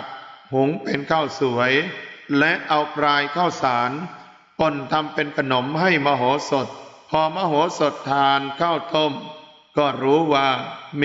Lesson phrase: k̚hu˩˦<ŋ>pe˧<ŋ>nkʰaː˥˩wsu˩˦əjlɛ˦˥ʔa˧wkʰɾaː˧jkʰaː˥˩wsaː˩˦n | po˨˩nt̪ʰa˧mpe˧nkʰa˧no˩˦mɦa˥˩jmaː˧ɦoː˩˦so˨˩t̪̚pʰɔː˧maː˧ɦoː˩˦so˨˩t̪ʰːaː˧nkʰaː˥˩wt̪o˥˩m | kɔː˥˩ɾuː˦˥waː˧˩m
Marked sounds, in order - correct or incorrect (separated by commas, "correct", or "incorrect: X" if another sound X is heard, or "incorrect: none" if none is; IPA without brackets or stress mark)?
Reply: correct, incorrect: none